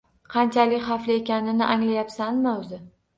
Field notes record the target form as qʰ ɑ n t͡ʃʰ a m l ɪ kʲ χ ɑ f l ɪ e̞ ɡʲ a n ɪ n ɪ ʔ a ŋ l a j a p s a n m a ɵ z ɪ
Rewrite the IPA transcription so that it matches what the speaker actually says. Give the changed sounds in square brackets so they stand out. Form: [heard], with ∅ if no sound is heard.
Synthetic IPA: qʰ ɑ n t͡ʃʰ a [∅] l ɪ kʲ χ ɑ f l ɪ e̞ [kʲ] a n ɪ n ɪ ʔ a ŋ l a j a p s a n m a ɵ z ɪ

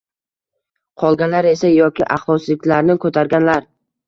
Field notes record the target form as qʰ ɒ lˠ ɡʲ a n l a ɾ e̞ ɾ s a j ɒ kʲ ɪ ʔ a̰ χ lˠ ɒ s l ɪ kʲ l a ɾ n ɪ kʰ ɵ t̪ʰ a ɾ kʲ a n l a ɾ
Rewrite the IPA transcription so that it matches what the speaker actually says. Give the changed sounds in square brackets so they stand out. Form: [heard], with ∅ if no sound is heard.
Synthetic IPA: qʰ ɒ lˠ ɡʲ a n l a ɾ e̞ [∅] s a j ɒ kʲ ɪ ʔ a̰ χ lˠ ɒ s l ɪ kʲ l a ɾ n ɪ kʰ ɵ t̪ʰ a ɾ [ɡʲ] a n l a ɾ

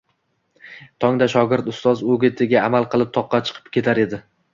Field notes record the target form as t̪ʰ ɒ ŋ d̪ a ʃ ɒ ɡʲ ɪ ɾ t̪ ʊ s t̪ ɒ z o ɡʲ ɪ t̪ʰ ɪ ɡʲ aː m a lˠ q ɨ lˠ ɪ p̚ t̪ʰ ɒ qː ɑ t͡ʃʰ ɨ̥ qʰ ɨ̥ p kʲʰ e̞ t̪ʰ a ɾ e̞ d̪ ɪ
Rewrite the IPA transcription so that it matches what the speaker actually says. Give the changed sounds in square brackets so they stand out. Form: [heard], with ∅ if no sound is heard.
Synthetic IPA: t̪ʰ ɒ ŋ d̪ a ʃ ɒ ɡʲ ɪ ɾ t̪ ʊ s t̪ ɒ z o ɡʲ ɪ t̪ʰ ɪ ɡʲ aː m a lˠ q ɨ lˠ ɪ p̚ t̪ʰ ɒ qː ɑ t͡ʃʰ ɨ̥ qʰ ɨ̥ p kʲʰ e̞ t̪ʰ a ɾ e̞ d̪ ɪ

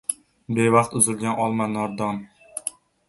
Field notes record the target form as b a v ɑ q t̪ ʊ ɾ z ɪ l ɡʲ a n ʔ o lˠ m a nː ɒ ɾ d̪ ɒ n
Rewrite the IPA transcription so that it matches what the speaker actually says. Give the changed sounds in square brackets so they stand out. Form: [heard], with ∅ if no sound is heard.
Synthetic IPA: b [e] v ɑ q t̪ ʊ [∅] z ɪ l ɡʲ a n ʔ [ɒ] lˠ m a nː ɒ ɾ d̪ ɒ n

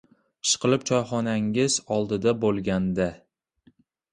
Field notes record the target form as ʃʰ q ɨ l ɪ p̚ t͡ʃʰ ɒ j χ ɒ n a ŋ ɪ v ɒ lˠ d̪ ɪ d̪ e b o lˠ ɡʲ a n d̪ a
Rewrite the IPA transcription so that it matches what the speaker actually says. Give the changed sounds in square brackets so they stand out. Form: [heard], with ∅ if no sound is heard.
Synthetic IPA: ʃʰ q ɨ l ɪ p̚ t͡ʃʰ ɒ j χ ɒ n a ŋ ɪ [z] ɒ lˠ d̪ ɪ d̪ [a] b o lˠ ɡʲ a n d̪ a

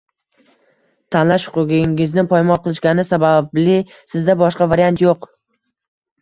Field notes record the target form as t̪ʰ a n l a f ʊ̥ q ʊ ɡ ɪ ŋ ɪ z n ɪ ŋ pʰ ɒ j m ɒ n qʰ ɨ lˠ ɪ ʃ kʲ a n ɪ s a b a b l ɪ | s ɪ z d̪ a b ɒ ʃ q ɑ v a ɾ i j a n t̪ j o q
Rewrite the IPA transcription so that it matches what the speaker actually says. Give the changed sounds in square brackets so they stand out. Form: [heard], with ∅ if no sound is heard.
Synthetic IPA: t̪ʰ a n l a [ʃ] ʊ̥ q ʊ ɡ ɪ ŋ ɪ z n ɪ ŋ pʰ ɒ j m ɒ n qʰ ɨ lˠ ɪ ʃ kʲ a n ɪ s a b a b l ɪ | s ɪ z d̪ a b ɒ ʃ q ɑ v a ɾ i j a n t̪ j o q

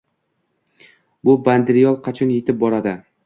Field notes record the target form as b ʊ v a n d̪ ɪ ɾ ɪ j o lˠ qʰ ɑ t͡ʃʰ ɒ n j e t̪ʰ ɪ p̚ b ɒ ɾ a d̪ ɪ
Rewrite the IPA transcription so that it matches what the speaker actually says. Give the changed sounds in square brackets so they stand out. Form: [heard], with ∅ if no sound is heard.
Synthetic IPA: b ʊ [b] a n d̪ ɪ ɾ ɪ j [ɒ] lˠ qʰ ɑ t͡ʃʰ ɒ n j e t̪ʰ ɪ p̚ b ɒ ɾ a d̪ ɪ

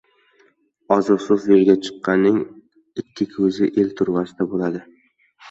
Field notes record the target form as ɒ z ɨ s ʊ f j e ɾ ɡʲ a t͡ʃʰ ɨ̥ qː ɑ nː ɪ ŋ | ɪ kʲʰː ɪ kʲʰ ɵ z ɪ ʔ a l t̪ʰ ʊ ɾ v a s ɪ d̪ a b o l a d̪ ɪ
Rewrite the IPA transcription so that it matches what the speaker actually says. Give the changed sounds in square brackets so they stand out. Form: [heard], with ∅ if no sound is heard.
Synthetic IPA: ɒ z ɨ s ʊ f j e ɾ ɡʲ a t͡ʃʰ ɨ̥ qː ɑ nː ɪ ŋ | ɪ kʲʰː ɪ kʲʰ ɵ z ɪ ʔ [e] l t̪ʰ ʊ ɾ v a s ɪ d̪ a b o l a d̪ ɪ

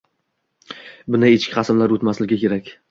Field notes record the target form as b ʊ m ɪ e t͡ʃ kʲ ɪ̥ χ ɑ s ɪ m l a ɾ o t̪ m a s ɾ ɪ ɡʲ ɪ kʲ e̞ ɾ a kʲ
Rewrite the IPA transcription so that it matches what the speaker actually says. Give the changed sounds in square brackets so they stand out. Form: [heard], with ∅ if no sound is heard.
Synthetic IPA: b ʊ [n] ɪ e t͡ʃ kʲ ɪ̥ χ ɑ s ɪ m l a ɾ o t̪ m a s [l] ɪ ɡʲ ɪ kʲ e̞ ɾ a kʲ

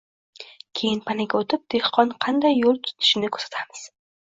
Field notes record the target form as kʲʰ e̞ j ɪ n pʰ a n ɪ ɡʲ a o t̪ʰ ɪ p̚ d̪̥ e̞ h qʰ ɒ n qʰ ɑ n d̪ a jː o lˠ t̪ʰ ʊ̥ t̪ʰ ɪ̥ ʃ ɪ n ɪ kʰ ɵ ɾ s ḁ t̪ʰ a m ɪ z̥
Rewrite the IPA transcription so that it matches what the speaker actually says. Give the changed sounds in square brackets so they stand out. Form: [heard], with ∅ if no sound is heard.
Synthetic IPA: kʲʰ e̞ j ɪ n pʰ a n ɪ ɡʲ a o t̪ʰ ɪ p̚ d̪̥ e̞ h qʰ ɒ n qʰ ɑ n d̪ a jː o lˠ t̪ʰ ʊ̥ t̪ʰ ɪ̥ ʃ ɪ n ɪ kʰ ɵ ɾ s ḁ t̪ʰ a m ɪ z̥

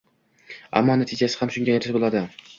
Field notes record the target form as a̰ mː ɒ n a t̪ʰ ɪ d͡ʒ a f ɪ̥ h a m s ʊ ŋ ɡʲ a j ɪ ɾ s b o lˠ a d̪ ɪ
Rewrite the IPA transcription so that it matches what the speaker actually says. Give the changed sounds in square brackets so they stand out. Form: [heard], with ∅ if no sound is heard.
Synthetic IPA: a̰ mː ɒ n a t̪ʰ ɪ d͡ʒ a [s] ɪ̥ h a m [ʃ] ʊ ŋ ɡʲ a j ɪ ɾ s b o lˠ a d̪ ɪ

